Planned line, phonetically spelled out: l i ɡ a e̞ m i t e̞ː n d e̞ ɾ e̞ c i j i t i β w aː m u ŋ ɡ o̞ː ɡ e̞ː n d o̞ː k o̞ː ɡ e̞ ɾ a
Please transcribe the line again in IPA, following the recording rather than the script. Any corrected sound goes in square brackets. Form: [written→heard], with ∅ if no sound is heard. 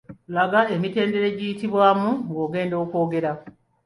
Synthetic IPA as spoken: l [i→a] ɡ a e̞ m i t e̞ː n d e̞ ɾ e̞ [c→ɟ] i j i t i β w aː m u ŋ ɡ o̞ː ɡ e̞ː n d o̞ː k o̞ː ɡ e̞ ɾ a